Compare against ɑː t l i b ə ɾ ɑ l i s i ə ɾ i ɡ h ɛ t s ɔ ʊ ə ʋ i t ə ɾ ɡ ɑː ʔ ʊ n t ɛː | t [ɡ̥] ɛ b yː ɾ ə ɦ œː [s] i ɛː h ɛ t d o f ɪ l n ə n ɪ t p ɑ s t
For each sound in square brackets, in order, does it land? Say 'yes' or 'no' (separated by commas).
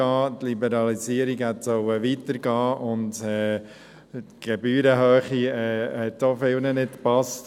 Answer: yes, no